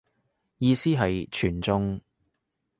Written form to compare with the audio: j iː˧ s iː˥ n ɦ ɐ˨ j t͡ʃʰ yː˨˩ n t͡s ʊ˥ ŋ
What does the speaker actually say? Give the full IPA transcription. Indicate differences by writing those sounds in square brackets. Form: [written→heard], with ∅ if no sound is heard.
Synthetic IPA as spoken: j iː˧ s iː˥ [n→∅] ɦ ɐ˨ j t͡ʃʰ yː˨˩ n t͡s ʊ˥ ŋ